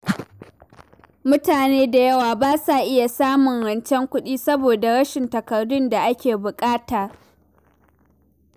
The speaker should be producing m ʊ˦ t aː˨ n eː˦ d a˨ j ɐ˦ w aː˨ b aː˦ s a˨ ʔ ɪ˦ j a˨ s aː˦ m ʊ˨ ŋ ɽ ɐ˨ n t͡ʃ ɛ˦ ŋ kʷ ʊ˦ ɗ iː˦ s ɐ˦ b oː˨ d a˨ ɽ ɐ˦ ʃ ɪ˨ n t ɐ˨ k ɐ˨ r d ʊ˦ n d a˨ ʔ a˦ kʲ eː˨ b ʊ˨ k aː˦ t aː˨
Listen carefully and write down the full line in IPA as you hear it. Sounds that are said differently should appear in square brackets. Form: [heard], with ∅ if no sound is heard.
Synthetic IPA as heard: m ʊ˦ t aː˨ n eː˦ d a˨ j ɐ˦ w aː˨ b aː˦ s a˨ ʔ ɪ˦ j a˨ s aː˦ m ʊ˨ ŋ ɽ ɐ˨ n t͡ʃ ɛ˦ ŋ kʷ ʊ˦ ɗ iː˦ s ɐ˦ b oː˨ d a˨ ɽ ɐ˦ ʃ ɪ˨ n t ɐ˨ k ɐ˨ r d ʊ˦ n d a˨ ʔ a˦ kʲ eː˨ b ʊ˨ [kʼ] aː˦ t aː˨